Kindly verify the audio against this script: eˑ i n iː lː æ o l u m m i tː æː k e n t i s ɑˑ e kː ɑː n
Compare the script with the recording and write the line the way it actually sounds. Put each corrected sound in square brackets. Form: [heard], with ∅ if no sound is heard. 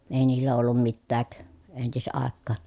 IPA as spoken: eˑ i n iː lː æ o [lː] u m m i tː æː k e n t i s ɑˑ e kː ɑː n